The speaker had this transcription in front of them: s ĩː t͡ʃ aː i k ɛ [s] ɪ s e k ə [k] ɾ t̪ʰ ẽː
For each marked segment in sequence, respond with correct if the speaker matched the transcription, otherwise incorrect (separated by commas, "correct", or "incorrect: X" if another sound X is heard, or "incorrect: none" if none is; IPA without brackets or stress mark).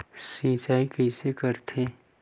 incorrect: none, incorrect: none